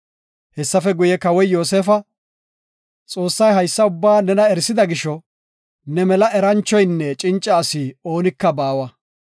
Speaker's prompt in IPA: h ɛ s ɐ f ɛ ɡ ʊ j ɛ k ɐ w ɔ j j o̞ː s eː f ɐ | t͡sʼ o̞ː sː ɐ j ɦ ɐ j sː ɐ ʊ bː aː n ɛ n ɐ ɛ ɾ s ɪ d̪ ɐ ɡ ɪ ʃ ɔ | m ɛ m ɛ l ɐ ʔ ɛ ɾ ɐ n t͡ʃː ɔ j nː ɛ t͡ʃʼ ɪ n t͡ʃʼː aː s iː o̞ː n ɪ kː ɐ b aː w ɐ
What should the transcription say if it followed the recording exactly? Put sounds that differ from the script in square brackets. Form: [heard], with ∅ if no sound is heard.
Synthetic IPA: h ɛ [sː] ɐ f ɛ ɡ ʊ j ɛ k ɐ w ɔ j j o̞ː s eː f ɐ | t͡sʼ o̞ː sː ɐ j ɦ ɐ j sː ɐ ʊ bː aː n ɛ n ɐ ɛ ɾ s ɪ d̪ ɐ ɡ ɪ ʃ ɔ | [n] ɛ m ɛ l ɐ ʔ ɛ ɾ ɐ n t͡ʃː ɔ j nː ɛ t͡ʃʼ ɪ n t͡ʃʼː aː s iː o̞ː n ɪ kː ɐ b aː w ɐ

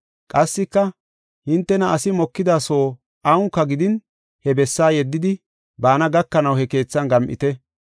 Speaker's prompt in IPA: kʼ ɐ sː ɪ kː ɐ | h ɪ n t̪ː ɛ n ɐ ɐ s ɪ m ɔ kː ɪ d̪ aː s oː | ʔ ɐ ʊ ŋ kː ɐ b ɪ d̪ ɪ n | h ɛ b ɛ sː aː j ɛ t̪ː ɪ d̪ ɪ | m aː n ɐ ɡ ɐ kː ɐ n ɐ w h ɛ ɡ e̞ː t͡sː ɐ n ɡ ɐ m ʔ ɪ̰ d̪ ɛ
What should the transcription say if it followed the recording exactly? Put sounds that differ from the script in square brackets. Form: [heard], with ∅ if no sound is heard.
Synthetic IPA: kʼ ɐ sː ɪ kː ɐ | h ɪ n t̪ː ɛ n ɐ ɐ s ɪ m ɔ kː ɪ d̪ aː s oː | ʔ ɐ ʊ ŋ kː ɐ [ɡ] ɪ d̪ ɪ n | h ɛ b ɛ sː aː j ɛ [d̪ː] ɪ d̪ ɪ | [b] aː n ɐ ɡ ɐ kː ɐ n ɐ w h ɛ [k] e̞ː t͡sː ɐ n ɡ ɐ m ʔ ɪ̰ [t̪] ɛ

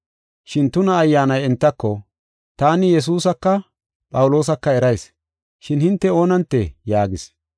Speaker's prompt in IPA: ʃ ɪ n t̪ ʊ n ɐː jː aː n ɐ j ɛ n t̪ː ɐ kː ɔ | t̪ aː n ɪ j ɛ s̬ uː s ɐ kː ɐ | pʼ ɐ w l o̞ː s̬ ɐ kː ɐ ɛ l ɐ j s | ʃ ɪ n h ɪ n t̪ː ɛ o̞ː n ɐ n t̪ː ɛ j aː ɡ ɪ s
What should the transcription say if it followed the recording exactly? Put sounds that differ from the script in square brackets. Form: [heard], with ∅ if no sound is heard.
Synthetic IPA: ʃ ɪ n t̪ ʊ n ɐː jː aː n ɐ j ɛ n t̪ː ɐ kː ɔ | t̪ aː n ɪ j ɛ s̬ uː s ɐ kː ɐ | pʼ ɐ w l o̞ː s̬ ɐ kː ɐ ɛ [ɾ] ɐ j s | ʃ ɪ n h ɪ n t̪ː ɛ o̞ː n ɐ n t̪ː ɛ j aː ɡ ɪ s

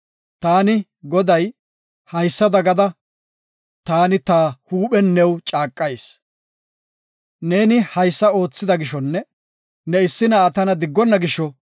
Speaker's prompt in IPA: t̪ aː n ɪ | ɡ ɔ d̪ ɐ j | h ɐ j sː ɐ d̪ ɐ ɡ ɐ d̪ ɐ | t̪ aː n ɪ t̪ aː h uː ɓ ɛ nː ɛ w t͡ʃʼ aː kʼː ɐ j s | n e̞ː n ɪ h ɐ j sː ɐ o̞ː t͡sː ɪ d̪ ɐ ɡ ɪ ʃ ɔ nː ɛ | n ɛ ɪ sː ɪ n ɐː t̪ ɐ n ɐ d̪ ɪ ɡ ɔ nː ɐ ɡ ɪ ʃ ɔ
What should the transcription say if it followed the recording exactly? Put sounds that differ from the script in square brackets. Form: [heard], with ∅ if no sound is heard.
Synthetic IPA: t̪ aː n ɪ | ɡ ɔ d̪ ɐ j | h ɐ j sː ɐ d̪ ɐ ɡ ɐ d̪ ɐ | t̪ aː n ɪ t̪ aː h uː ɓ ɛ nː ɛ w t͡ʃʼ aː kʼː ɐ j s | n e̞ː n ɪ h ɐ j sː ɐ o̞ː t͡sː ɪ d̪ ɐ ɡ ɪ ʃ ɔ nː ɛ | n ɛ ɪ sː ɪ n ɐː t̪ ɐ n ɐ d̪ ɪ [ɡː] ɔ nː ɐ ɡ ɪ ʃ ɔ

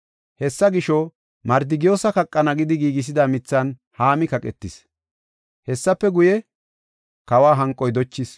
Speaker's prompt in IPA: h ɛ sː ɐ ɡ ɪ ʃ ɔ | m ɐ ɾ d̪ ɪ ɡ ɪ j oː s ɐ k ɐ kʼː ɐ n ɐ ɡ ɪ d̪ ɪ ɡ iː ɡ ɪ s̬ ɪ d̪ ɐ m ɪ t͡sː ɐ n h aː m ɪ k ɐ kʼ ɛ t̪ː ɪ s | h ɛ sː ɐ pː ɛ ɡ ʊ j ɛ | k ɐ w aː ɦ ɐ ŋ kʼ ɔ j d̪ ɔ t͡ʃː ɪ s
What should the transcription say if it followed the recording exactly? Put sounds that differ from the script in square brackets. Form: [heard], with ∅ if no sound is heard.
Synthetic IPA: h ɛ sː ɐ ɡ ɪ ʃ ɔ | m ɐ ɾ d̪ ɪ ɡ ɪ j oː s ɐ k ɐ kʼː ɐ n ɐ ɡ ɪ d̪ ɪ ɡ iː ɡ ɪ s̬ ɪ d̪ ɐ m ɪ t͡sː ɐ n h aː m ɪ k ɐ kʼ ɛ t̪ː ɪ s | h ɛ sː ɐ pː ɛ ɡ ʊ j ɛ | k ɐ w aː ɦ ɐ ŋ kʼ ɔ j d̪ ɔ t͡ʃː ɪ s

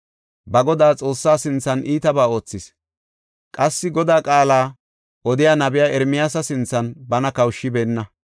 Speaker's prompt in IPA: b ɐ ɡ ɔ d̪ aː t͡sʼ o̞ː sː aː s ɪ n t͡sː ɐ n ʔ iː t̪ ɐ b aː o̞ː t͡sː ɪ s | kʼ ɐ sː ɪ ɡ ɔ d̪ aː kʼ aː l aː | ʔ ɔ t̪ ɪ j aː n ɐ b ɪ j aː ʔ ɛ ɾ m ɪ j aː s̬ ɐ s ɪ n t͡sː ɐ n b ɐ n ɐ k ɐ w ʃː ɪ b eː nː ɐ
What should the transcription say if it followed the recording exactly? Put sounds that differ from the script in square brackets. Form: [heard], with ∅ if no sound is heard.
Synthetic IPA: b ɐ ɡ ɔ d̪ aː t͡sʼ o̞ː sː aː s ɪ n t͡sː ɐ n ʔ iː t̪ ɐ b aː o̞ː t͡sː ɪ s | kʼ ɐ sː ɪ ɡ ɔ d̪ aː kʼ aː l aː | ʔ ɔ [d̪] ɪ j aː n ɐ b ɪ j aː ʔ ɛ ɾ m ɪ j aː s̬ ɐ s ɪ n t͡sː ɐ n b ɐ n ɐ k ɐ w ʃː ɪ b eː nː ɐ

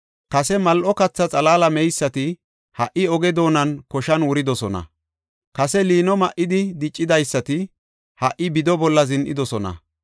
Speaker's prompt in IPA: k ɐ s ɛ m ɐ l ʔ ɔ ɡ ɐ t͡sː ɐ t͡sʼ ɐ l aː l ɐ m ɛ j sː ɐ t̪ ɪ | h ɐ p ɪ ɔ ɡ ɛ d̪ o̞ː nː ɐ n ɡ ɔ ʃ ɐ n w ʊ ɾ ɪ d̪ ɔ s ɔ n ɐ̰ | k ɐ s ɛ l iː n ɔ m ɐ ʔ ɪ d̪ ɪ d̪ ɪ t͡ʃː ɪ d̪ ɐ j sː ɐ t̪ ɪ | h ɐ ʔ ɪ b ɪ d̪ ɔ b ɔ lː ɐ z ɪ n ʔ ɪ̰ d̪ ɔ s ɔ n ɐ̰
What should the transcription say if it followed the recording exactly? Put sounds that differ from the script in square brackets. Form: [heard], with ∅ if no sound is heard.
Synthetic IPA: k ɐ s ɛ m ɐ l ʔ ɔ [k] ɐ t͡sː ɐ t͡sʼ ɐ l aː l ɐ m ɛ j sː ɐ t̪ ɪ | h ɐ [ʔ] ɪ ɔ ɡ ɛ d̪ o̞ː [n] ɐ n [k] ɔ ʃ ɐ n w ʊ ɾ ɪ d̪ ɔ s ɔ n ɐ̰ | k ɐ s ɛ l iː n ɔ m ɐ ʔ ɪ d̪ ɪ d̪ ɪ [t͡ʃʼː] ɪ d̪ ɐ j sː ɐ t̪ ɪ | h ɐ ʔ ɪ b ɪ d̪ ɔ b ɔ lː ɐ z ɪ n ʔ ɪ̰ d̪ ɔ s ɔ n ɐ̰

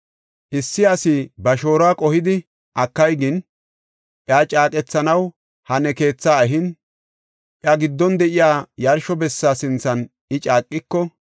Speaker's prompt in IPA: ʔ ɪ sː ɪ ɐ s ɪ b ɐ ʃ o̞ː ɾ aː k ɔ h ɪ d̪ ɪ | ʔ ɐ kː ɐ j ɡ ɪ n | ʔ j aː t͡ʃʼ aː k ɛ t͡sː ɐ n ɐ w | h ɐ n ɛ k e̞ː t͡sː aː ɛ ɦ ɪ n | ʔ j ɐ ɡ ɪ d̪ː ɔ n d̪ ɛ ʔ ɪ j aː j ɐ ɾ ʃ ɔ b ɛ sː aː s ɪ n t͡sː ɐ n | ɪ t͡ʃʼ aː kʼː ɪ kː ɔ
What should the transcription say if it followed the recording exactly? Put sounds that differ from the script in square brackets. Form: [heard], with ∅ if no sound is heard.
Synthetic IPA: ʔ ɪ sː ɪ ɐ s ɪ b ɐ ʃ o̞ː ɾ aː [kʼ] ɔ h ɪ d̪ ɪ | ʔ ɐ kː ɐ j ɡ ɪ n | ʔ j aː t͡ʃʼ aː [kʼ] ɛ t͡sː ɐ n ɐ w | h ɐ n ɛ k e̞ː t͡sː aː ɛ ɦ ɪ n | ʔ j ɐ ɡ ɪ d̪ː ɔ n d̪ ɛ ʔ ɪ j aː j ɐ ɾ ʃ ɔ b ɛ sː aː s ɪ n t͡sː ɐ n | ɪ t͡ʃʼ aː kʼː ɪ kː ɔ

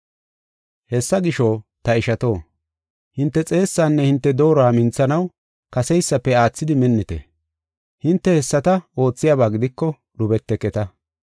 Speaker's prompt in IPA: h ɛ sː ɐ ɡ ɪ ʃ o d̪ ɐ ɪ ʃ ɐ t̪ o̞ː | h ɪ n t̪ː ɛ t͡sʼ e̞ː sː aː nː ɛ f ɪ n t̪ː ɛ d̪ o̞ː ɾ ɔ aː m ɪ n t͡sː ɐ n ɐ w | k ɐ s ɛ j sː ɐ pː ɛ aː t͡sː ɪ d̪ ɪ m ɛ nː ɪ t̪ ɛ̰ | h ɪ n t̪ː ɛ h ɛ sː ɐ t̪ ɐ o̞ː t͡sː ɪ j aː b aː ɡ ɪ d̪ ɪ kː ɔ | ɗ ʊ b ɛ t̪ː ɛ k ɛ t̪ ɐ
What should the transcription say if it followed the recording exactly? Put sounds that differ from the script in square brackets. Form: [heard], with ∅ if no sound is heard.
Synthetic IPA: h ɛ sː ɐ ɡ ɪ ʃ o [t̪] ɐ ɪ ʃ ɐ t̪ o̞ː | h ɪ n t̪ː ɛ t͡sʼ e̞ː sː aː nː ɛ [h] ɪ n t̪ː ɛ d̪ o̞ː ɾ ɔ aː m ɪ n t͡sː ɐ n ɐ w | k ɐ s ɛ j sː ɐ pː ɛ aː t͡sː ɪ d̪ ɪ m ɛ nː ɪ t̪ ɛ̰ | h ɪ n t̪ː ɛ h ɛ sː ɐ t̪ ɐ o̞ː t͡sː ɪ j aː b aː ɡ ɪ d̪ ɪ kː ɔ | ɗ ʊ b ɛ t̪ː ɛ k ɛ t̪ ɐ

